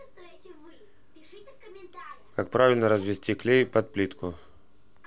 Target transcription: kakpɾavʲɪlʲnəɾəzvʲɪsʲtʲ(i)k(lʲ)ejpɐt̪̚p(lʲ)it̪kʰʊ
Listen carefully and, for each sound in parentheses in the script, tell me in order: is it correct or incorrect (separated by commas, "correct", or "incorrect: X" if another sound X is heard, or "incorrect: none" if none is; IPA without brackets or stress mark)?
correct, correct, correct